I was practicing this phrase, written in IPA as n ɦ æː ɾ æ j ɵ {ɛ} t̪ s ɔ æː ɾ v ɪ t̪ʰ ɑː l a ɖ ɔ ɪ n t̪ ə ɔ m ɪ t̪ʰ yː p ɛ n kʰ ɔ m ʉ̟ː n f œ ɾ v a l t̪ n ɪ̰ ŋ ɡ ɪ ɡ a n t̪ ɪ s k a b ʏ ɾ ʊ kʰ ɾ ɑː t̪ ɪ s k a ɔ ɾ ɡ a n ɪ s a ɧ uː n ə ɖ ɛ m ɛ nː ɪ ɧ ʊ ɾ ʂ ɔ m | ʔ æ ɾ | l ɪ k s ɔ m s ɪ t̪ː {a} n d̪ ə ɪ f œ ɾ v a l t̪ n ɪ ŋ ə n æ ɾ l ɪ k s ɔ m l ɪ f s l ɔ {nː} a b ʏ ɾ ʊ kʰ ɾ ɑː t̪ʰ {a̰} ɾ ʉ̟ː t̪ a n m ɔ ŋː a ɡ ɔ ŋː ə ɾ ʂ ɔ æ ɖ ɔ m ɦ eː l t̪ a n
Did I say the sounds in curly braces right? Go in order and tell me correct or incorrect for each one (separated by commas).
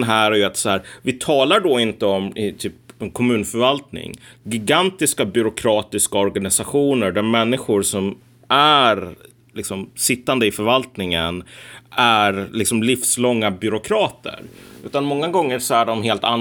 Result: incorrect, correct, incorrect, incorrect